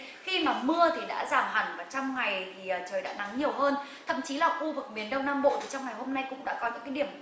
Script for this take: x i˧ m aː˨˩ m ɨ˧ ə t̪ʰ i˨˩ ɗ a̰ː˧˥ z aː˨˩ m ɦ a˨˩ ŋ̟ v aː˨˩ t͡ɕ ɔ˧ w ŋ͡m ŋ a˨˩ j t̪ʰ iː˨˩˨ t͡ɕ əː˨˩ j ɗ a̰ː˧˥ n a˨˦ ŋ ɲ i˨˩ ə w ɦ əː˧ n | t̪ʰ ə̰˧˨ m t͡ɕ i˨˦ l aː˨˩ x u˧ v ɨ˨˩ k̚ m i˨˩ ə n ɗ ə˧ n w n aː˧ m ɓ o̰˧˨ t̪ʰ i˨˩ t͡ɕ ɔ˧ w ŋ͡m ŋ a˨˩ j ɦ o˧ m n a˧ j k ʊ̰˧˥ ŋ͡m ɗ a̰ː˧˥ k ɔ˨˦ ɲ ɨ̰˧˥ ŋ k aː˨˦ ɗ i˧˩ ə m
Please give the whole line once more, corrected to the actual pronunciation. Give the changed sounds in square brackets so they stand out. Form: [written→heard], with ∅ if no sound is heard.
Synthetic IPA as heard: x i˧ m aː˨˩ m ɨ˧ ə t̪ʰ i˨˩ ɗ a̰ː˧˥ z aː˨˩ m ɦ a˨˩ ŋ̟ v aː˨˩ t͡ɕ ɔ˧ w ŋ͡m ŋ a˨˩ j t̪ʰ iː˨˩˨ t͡ɕ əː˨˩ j ɗ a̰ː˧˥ n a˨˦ ŋ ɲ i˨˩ ə w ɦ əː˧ n | t̪ʰ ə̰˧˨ m t͡ɕ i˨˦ l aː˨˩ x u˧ v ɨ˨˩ k̚ m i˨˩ ə n ɗ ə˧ [n→∅] w n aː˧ m ɓ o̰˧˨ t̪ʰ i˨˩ t͡ɕ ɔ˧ w ŋ͡m ŋ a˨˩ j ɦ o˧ m n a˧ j k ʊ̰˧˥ ŋ͡m ɗ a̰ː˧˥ k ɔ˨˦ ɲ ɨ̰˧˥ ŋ k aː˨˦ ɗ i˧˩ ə m